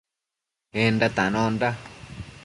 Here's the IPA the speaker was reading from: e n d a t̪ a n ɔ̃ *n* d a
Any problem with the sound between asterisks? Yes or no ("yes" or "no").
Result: no